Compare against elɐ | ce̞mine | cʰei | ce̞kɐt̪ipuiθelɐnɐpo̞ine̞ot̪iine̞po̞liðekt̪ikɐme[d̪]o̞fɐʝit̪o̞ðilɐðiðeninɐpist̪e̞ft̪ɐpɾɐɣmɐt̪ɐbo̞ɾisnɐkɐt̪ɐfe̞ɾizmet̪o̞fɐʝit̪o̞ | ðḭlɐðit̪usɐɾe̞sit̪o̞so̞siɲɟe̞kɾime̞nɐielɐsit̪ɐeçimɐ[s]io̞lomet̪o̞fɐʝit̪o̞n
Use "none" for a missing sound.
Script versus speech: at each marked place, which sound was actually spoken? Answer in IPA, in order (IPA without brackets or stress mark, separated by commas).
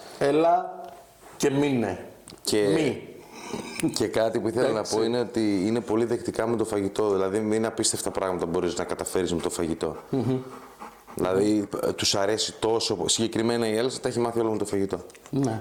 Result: t̪, θ